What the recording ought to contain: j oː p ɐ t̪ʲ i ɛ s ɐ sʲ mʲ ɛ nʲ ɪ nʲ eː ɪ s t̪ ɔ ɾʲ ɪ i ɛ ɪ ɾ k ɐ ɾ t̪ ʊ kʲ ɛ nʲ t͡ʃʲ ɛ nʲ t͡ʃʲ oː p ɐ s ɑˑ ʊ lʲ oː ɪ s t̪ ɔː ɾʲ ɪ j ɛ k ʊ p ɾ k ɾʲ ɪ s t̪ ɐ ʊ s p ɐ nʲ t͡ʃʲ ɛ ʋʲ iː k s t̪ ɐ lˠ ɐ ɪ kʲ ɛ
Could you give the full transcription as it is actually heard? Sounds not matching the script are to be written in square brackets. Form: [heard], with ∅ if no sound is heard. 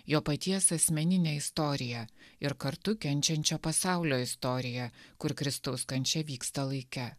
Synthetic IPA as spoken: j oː p ɐ t̪ʲ i ɛ s ɐ sʲ mʲ ɛ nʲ ɪ nʲ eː ɪ s t̪ ɔ ɾʲ ɪ [j] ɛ ɪ ɾ k ɐ ɾ t̪ ʊ kʲ ɛ nʲ t͡ʃʲ ɛ nʲ t͡ʃʲ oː p ɐ s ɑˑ ʊ lʲ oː ɪ s t̪ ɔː ɾʲ ɪ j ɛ k ʊ [∅] ɾ k ɾʲ ɪ s t̪ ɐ ʊ s [k] ɐ nʲ t͡ʃʲ ɛ ʋʲ iː k s t̪ ɐ lˠ ɐ ɪ kʲ ɛ